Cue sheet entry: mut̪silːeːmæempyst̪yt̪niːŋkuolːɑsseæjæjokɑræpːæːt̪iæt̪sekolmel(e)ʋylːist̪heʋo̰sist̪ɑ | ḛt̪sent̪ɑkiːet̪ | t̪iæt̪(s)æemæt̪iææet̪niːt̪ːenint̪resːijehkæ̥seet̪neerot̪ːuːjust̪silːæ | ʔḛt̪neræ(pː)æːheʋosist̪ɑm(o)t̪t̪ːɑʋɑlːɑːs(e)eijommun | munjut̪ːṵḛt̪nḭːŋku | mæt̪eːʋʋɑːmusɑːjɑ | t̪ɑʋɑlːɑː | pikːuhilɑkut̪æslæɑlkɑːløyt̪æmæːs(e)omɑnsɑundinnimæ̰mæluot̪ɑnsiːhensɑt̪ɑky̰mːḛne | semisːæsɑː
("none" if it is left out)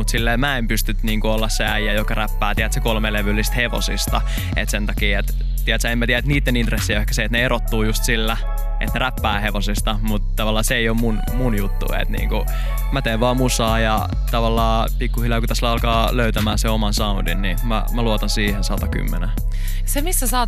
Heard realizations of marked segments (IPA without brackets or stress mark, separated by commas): e, s, pː, u, e, e